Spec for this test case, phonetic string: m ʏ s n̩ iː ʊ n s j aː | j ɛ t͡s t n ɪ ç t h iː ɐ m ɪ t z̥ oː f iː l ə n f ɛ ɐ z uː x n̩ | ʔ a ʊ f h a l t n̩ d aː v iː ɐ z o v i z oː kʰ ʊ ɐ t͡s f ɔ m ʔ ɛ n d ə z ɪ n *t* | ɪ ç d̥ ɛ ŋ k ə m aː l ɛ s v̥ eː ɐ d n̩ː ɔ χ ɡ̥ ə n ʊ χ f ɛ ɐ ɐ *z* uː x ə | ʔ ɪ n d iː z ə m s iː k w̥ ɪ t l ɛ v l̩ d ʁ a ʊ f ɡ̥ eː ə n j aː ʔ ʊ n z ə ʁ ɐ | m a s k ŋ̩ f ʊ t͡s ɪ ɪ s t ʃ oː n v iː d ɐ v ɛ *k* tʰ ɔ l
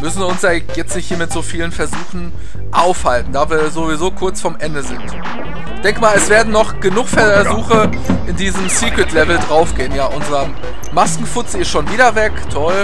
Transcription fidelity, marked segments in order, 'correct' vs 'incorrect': correct, correct, correct

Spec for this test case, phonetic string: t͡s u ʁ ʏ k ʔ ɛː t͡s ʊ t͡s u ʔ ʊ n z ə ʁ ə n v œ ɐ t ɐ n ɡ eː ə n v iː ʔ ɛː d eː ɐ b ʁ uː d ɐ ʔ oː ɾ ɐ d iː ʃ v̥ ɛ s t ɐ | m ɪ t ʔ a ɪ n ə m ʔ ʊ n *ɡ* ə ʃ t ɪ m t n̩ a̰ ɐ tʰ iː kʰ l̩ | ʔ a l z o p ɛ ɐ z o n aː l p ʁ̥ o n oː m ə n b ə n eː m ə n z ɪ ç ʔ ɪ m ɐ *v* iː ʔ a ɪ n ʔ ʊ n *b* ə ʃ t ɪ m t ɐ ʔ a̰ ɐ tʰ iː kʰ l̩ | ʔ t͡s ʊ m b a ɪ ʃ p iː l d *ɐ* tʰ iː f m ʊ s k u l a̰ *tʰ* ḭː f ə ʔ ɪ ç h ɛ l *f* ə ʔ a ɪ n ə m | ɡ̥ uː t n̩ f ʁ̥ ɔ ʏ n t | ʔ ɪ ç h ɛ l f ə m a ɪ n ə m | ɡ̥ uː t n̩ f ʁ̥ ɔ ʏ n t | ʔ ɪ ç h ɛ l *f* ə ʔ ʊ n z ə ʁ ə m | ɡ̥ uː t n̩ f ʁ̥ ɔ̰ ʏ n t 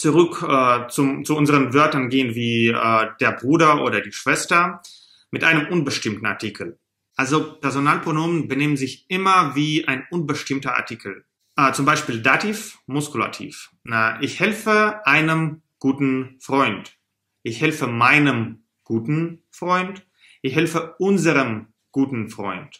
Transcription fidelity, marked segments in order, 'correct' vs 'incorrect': incorrect, correct, correct, incorrect, correct, correct, correct

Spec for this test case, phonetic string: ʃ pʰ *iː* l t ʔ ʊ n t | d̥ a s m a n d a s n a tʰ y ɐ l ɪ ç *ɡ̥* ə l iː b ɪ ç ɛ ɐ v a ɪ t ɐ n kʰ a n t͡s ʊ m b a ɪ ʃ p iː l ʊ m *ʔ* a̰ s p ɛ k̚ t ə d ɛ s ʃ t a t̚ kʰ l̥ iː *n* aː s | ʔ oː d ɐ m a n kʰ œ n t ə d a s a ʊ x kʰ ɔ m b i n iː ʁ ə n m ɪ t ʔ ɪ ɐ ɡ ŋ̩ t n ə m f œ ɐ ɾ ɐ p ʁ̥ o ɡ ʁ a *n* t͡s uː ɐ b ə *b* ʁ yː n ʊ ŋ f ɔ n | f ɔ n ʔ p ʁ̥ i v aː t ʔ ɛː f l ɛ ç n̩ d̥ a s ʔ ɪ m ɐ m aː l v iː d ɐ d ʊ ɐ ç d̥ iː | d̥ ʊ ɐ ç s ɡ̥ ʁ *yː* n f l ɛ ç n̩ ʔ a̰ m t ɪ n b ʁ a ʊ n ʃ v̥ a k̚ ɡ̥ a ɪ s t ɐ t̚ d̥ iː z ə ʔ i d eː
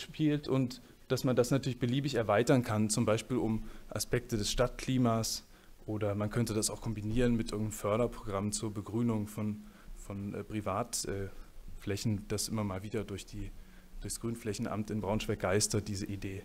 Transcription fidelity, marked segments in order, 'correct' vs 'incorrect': correct, incorrect, correct, incorrect, incorrect, incorrect, correct

